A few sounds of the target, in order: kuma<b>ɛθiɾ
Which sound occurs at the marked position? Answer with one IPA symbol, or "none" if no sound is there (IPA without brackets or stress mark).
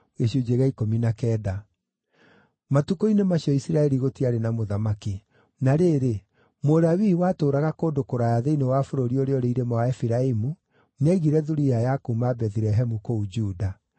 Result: b